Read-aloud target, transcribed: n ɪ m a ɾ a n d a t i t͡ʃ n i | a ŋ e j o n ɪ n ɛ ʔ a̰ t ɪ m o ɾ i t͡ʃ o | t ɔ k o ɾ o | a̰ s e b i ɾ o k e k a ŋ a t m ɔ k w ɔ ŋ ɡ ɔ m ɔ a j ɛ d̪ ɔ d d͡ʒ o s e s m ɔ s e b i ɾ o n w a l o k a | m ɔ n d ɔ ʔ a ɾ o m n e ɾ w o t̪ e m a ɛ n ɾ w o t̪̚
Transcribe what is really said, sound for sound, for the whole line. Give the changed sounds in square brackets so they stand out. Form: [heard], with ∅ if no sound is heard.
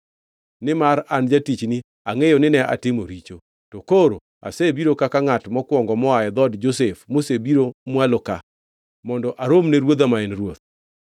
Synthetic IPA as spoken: n ɪ m a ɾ a n [d͡ʒ] a t i t͡ʃ n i | a ŋ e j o n ɪ n ɛ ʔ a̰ t ɪ m o ɾ i t͡ʃ o | t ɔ k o ɾ o | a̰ s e b i ɾ o k [a] k a ŋ a t m ɔ k w ɔ ŋ ɡ ɔ m ɔ a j ɛ d̪ ɔ d d͡ʒ o s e [f] m [o] s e b i ɾ o [m] w a l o k a | m ɔ n d ɔ ʔ a ɾ o m n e ɾ w o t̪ [a] m a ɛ n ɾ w o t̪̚